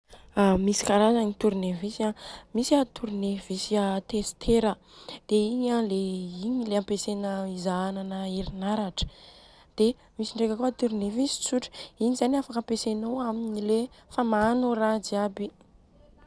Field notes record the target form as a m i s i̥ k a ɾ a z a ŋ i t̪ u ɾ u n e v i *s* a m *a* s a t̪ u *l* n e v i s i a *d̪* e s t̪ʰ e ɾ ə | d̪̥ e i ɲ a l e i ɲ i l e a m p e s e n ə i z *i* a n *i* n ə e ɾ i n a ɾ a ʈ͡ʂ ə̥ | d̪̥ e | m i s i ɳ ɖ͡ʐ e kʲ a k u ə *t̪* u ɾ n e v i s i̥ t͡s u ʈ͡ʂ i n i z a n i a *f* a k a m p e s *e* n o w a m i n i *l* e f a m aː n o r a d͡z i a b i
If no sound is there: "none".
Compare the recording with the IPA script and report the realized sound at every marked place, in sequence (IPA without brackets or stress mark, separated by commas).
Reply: s, i, ɾ, t̪, a, a, t̪, f, e, l